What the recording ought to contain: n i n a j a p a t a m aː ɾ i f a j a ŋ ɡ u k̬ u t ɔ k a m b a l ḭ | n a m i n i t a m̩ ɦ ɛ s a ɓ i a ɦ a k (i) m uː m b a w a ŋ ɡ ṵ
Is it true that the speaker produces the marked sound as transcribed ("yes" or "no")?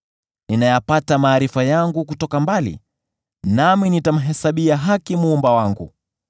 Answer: yes